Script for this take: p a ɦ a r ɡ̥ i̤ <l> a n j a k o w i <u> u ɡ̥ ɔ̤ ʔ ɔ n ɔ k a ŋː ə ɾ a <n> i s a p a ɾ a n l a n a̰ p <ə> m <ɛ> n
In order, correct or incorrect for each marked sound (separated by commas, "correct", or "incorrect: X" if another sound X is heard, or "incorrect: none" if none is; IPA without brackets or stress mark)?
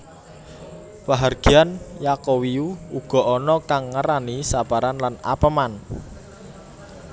incorrect: none, correct, correct, correct, incorrect: a